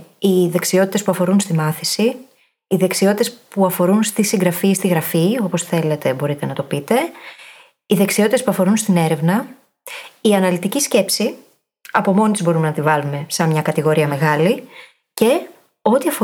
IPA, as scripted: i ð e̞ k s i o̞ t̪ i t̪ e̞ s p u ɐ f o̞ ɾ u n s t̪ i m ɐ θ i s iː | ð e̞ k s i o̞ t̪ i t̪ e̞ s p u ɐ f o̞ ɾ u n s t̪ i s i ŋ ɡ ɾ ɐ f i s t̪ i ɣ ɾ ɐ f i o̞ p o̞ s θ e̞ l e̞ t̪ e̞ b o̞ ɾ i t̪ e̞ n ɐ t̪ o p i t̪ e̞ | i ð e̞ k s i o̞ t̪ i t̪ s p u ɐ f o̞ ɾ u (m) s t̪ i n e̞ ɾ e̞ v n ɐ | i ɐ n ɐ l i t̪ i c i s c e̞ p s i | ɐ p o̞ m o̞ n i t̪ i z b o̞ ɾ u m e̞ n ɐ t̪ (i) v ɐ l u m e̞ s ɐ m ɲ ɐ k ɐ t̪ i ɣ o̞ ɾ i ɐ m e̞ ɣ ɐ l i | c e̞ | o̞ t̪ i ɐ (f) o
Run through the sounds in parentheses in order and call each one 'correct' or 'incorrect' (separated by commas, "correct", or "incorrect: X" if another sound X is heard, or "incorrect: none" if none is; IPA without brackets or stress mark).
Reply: incorrect: n, correct, correct